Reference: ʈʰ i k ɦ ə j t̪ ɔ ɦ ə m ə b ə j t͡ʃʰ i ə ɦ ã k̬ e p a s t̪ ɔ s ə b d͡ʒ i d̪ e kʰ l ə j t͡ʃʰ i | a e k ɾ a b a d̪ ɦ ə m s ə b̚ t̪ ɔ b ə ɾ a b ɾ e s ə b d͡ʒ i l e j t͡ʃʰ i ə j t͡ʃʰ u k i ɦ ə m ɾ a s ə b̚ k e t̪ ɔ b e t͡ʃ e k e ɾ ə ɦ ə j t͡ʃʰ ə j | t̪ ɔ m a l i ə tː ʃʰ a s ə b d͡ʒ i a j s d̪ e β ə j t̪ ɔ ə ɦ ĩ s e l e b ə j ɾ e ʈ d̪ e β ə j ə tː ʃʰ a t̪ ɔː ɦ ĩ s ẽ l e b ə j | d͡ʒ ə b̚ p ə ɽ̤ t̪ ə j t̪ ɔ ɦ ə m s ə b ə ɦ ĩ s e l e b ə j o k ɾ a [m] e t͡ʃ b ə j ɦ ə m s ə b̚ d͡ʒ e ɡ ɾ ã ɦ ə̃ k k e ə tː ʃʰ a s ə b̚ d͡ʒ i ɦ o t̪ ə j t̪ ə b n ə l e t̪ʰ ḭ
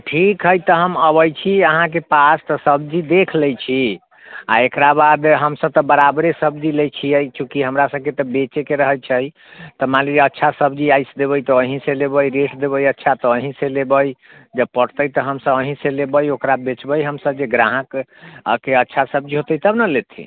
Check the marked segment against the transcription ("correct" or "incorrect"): incorrect